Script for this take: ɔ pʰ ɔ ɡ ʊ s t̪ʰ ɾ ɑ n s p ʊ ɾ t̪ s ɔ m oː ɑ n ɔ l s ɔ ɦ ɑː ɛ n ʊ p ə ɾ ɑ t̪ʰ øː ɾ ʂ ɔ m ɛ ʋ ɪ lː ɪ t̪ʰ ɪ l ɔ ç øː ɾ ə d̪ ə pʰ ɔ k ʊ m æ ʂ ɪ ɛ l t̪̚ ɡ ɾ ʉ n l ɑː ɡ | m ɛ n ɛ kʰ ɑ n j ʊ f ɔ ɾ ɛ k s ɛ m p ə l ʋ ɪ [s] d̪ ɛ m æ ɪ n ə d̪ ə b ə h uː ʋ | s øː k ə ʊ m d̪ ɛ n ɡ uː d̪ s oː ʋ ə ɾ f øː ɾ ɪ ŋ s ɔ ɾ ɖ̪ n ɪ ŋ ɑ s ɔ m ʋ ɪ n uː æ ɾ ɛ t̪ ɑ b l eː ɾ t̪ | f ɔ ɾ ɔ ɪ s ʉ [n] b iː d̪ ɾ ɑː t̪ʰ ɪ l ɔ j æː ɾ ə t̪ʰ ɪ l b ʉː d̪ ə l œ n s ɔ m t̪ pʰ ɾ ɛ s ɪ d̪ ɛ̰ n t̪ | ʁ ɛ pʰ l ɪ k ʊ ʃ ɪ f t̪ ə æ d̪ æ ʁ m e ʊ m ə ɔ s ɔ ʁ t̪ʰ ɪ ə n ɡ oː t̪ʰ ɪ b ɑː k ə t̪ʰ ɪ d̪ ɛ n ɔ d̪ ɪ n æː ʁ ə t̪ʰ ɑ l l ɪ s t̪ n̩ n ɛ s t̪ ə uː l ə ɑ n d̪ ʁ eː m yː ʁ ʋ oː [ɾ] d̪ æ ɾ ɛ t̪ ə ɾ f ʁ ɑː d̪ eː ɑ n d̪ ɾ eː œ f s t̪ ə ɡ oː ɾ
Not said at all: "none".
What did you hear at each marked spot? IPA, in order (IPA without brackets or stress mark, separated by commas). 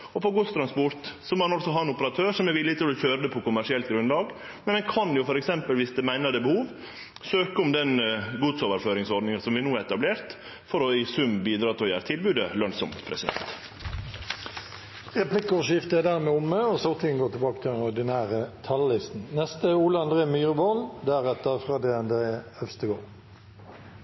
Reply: s, m, l